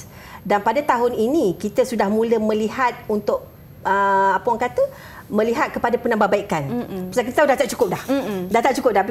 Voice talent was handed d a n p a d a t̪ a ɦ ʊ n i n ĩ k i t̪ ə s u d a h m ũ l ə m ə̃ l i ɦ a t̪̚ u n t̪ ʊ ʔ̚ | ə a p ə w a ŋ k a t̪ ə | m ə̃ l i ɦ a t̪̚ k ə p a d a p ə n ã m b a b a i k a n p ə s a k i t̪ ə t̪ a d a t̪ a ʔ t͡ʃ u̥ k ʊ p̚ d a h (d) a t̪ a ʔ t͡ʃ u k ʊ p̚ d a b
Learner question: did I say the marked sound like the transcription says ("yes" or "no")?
yes